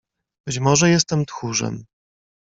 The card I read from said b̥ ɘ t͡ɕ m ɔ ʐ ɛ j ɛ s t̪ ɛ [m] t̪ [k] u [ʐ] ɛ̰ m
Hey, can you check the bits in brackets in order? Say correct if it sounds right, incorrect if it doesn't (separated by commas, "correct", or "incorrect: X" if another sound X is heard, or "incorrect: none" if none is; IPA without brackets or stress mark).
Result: correct, incorrect: x, correct